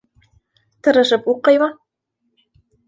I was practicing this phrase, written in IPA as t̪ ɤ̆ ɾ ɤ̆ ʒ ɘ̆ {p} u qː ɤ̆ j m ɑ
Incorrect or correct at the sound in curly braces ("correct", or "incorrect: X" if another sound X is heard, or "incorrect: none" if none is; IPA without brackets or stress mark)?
correct